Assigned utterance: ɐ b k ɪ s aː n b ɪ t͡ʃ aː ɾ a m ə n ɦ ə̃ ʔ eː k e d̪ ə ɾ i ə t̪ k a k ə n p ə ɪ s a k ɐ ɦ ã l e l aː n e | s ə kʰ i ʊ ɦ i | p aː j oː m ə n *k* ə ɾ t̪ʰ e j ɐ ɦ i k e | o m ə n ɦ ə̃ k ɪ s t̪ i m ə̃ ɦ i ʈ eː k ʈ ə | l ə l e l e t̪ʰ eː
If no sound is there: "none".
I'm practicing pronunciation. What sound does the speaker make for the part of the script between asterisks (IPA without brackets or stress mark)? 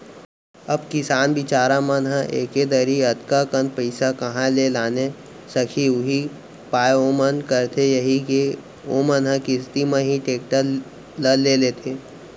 k